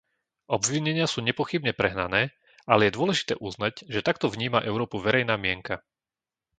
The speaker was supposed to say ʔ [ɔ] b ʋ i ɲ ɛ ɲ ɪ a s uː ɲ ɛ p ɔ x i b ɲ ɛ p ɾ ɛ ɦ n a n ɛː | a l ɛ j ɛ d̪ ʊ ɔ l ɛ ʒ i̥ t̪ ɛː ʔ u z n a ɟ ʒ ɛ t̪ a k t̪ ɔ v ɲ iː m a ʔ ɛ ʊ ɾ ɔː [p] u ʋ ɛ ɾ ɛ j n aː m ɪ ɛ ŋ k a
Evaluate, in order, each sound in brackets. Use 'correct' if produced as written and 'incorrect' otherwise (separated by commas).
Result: correct, correct